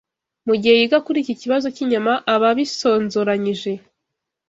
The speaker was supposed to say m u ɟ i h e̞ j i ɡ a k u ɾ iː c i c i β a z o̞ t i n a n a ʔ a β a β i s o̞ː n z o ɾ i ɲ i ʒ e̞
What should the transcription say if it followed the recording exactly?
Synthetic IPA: m u ɟ i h e̞ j i ɡ a k u ɾ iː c i c i β a z o̞ c i ɲ a m a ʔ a β a β i s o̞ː n z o ɾ a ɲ i ʒ e̞